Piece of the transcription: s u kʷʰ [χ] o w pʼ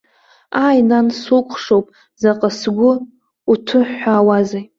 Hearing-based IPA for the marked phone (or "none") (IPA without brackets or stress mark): ʂ